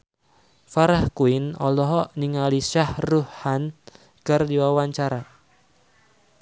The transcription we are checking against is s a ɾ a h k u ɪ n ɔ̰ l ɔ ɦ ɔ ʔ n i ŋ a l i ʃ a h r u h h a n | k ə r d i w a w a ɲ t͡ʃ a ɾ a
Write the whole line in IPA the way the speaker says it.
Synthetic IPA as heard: f a ɾ a h k u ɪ n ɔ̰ l ɔ ɦ ɔ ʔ n i ŋ a l i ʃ a h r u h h a n | k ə r d i w a w a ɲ t͡ʃ a ɾ a